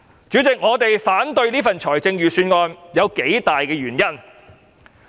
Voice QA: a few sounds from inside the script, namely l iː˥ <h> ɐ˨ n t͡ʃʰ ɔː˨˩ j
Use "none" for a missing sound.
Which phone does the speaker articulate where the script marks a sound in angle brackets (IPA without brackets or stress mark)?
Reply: f